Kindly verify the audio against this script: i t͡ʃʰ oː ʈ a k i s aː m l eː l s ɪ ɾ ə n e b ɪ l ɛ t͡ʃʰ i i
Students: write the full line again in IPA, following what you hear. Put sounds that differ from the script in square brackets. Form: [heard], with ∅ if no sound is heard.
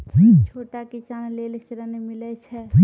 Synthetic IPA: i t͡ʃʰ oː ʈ a k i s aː [n] l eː l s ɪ ɾ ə n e [m] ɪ l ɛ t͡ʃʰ [ɛ] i